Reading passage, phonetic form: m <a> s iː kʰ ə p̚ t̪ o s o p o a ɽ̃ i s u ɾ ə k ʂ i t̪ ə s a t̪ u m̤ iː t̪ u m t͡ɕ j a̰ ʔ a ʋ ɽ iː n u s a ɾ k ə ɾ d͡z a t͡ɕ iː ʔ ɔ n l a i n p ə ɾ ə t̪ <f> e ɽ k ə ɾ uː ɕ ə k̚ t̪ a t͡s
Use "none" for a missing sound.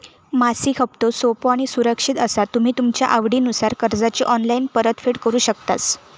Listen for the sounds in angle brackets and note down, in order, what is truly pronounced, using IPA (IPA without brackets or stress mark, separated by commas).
a, f